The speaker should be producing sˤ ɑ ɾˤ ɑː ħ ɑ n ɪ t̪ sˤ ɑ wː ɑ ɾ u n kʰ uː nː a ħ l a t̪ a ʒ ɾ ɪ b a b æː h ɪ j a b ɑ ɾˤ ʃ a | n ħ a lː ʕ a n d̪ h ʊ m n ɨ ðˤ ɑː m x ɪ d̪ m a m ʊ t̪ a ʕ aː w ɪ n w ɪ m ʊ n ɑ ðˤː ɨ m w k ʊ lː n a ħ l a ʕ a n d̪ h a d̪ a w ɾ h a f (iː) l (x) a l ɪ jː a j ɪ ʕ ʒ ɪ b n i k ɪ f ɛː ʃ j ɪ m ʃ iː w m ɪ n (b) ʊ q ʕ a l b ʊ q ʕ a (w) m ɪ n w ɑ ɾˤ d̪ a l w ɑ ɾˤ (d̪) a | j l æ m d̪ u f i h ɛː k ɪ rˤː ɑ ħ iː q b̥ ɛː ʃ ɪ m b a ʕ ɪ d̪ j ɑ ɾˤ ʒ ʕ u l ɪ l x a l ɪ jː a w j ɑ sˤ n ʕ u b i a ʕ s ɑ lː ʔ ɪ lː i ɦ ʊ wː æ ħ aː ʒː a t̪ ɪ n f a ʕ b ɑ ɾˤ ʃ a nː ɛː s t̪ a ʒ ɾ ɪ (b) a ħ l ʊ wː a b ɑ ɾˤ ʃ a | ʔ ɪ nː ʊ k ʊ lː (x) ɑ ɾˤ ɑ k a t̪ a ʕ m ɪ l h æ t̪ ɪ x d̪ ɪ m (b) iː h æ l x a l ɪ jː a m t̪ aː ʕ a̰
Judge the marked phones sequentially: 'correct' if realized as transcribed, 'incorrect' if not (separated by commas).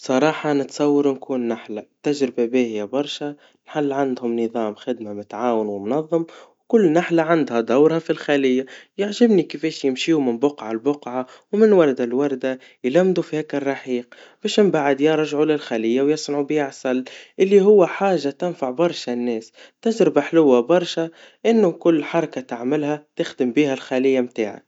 incorrect, correct, correct, correct, correct, correct, incorrect, correct